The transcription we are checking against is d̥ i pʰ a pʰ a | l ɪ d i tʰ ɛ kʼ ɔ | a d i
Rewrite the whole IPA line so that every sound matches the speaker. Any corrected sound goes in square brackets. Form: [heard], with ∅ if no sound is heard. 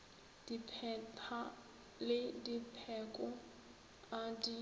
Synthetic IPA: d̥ i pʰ [ɛ] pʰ a | l ɪ d i [pʰ] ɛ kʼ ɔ | a d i